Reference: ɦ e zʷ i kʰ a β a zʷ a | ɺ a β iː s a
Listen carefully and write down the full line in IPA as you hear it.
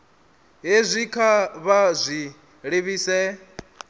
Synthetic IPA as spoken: ɦ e zʷ i kʰ a β a zʷ i | ɺ e β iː s ɛ

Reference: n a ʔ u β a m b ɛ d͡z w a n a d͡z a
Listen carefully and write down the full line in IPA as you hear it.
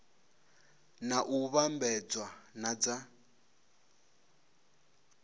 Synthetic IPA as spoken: n a ʔ u β a m b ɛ d͡z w a n a d͡z a

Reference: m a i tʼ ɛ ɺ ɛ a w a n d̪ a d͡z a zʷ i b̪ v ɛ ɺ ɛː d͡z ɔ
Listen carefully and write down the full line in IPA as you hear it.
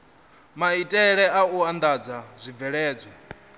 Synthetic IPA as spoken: m a i tʼ ɛ ɺ ɛ a u a n d̪ a d͡z a zʷ i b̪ v ɛ ɺ ɛː d͡z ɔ

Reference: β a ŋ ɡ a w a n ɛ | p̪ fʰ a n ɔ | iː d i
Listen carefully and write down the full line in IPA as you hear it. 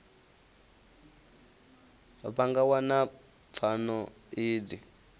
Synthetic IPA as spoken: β a ŋ ɡ a w a n a | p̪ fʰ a n ɔ | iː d i

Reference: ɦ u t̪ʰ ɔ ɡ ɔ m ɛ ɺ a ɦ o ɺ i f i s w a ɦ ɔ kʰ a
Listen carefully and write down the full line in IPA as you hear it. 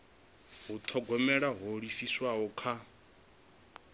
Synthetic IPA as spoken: ɦ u t̪ʰ ɔ ɡ ɔ m ɛ ɺ a ɦ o ɺ i f i s w a ɦ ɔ kʰ a

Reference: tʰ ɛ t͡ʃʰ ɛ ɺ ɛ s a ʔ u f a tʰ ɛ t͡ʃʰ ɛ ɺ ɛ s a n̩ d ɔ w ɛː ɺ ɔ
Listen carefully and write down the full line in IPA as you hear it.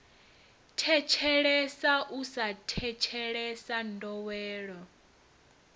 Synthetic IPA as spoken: tʰ ɛ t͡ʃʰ ɛ ɺ ɛ s a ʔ u s a tʰ ɛ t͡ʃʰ ɛ ɺ ɛ s a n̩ d ɔ w ɛː ɺ ɔ

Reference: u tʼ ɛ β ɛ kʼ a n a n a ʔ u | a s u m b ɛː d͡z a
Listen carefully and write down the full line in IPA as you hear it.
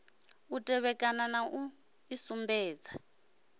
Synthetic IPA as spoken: u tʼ ɛ β ɛ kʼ a n a n a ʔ u | i s u m b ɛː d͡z a

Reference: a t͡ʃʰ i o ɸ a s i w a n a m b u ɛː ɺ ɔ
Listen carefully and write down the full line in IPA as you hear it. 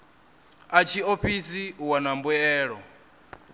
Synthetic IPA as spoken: a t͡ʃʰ i o ɸ i s i w a n a m b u ɛː ɺ ɔ

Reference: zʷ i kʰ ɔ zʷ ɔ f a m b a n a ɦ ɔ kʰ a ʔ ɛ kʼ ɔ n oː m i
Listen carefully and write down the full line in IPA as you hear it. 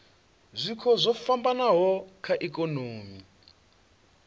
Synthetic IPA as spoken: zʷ i kʰ ɔ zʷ ɔ f a m b a n a ɦ ɔ kʰ a ʔ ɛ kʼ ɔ n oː m i

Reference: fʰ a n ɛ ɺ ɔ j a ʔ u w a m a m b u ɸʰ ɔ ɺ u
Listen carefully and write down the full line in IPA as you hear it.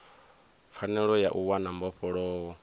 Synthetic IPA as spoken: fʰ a n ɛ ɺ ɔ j a ʔ u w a n a m b ɔ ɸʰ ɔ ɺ ɔ

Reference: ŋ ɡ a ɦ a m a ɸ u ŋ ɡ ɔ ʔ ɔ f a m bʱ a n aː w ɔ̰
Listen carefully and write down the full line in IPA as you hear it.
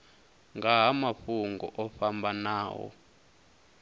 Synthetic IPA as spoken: ŋ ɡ a ɦ a m a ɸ u ŋ ɡ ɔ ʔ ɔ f a m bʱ a n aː w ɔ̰

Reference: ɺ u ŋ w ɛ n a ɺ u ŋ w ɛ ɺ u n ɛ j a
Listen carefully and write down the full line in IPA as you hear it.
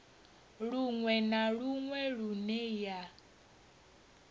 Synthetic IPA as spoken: ɺ u ŋ w ɛ n a ɺ u ŋ w ɛ ɺ u n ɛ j a

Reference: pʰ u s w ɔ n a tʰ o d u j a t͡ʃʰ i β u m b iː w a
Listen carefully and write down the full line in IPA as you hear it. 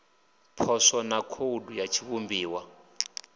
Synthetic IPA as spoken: pʰ ɔ s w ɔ n a kʰ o d u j a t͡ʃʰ i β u m b iː w a

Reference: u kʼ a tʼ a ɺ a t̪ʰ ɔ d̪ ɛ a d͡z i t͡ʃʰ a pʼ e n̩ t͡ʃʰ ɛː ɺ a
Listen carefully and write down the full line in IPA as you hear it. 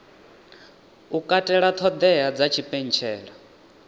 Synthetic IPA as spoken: u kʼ a tʼ ɛ ɺ a t̪ʰ ɔ d̪ ɛ a d͡z a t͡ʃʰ i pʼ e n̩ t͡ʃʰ ɛː ɺ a

